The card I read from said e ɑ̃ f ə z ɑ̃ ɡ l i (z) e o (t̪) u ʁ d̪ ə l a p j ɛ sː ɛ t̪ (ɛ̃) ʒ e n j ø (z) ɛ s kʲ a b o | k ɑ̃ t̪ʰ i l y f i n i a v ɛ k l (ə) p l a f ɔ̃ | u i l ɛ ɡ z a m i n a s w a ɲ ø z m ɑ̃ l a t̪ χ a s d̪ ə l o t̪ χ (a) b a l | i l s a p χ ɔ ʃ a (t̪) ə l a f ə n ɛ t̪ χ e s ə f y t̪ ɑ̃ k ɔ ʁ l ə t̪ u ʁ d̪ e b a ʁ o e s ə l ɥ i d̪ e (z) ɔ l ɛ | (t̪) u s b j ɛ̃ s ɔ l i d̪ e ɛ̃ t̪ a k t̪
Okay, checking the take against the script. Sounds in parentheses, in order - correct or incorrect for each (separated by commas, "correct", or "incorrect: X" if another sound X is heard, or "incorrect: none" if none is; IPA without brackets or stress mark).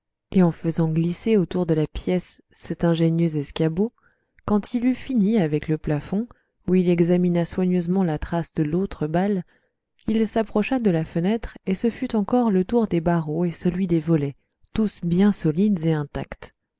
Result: incorrect: s, correct, correct, correct, correct, incorrect: ə, incorrect: d̪, incorrect: v, correct